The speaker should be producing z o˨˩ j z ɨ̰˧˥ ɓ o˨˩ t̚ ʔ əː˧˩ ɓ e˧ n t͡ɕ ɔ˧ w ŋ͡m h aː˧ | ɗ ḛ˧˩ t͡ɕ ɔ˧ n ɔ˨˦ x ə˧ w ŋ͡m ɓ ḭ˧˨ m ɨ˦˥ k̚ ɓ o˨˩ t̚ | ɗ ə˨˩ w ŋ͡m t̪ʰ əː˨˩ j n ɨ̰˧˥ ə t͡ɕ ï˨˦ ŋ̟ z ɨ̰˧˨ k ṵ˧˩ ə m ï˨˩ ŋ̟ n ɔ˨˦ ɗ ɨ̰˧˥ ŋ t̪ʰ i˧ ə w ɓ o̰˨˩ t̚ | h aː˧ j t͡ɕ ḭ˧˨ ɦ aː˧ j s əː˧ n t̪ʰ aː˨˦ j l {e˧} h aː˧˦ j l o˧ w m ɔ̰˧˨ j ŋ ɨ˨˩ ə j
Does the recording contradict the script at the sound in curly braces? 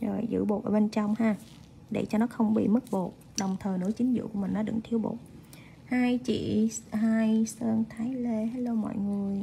no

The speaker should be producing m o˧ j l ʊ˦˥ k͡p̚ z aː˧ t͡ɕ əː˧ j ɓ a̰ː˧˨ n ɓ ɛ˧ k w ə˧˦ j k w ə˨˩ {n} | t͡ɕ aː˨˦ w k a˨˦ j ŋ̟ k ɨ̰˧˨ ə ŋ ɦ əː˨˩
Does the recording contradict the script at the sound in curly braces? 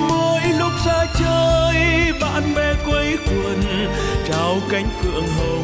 no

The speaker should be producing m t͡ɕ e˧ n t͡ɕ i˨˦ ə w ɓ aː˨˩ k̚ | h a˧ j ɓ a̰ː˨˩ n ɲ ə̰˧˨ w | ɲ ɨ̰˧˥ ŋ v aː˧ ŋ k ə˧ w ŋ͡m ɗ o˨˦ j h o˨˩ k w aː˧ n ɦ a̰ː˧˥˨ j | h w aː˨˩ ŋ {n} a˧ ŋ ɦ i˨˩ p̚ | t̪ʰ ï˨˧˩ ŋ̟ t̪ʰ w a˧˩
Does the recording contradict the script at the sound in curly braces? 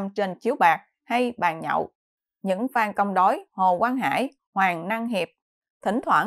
no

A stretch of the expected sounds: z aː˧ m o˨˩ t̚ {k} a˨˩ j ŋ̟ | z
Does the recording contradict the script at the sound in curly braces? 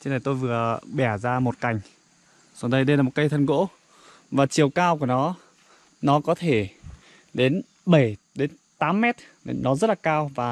no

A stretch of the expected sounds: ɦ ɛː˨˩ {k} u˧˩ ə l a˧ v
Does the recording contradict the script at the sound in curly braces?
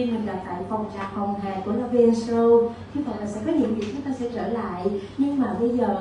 no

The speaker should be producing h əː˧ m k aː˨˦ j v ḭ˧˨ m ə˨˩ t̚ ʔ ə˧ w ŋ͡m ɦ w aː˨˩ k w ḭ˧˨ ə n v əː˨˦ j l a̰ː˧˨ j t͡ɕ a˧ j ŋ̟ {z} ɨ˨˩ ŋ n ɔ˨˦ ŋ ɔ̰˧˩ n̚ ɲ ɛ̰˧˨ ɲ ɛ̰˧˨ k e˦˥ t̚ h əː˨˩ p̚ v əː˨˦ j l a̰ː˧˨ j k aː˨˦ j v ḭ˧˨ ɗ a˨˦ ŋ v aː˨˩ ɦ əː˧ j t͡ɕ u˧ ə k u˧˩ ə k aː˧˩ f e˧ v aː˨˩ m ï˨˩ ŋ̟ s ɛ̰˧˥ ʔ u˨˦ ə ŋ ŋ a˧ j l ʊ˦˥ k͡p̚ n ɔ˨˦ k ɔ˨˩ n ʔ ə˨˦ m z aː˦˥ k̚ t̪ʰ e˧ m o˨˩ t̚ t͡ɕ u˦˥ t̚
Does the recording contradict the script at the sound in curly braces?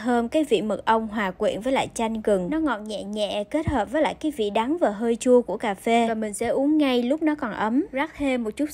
yes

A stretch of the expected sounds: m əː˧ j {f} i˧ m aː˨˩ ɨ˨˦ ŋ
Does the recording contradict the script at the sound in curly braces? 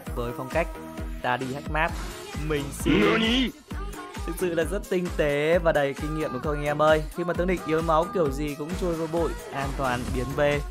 yes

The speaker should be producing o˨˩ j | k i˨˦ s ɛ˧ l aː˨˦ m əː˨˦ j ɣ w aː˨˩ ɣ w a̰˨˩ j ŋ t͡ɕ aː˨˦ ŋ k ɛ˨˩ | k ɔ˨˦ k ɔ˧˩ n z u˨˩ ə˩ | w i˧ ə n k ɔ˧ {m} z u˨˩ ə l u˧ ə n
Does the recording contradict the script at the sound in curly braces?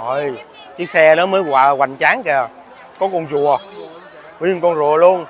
yes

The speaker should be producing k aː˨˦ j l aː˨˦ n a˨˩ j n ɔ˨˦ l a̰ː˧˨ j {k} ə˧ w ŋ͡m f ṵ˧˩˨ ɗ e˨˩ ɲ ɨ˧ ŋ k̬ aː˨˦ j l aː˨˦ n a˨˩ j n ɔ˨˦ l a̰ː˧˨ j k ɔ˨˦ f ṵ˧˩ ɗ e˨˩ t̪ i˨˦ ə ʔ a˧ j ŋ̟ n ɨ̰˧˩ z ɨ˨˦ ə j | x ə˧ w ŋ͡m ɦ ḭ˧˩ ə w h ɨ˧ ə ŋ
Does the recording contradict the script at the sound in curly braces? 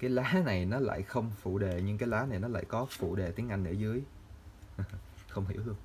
yes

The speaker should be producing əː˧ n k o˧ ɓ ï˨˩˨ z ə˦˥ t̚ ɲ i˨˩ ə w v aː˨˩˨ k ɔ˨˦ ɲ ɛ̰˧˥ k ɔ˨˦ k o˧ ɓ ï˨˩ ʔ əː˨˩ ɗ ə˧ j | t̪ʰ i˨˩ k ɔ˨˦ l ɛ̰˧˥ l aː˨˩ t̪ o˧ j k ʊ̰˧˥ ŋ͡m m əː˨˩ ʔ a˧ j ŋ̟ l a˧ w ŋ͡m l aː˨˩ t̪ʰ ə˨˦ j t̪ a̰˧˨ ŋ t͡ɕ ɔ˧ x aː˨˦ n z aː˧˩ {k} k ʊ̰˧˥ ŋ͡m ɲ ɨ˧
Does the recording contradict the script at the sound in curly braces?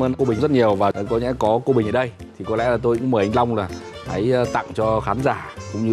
no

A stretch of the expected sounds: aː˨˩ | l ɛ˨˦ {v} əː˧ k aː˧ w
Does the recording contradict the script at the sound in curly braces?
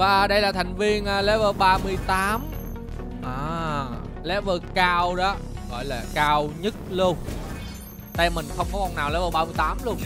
no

